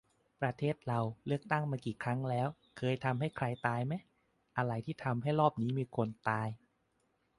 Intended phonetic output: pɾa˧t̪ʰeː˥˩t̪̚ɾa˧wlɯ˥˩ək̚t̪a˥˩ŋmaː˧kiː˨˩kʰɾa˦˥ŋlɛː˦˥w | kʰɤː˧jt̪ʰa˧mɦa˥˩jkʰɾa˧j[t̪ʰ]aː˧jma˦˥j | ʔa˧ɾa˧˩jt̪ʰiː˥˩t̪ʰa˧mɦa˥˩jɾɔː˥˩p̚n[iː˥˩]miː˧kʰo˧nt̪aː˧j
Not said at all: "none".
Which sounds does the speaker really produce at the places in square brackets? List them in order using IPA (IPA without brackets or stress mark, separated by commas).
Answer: t̪, iː˦˥